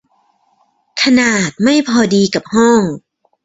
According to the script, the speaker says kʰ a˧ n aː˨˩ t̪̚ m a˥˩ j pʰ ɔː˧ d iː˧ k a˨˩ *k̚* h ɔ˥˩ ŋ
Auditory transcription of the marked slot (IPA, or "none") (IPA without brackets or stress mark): p̚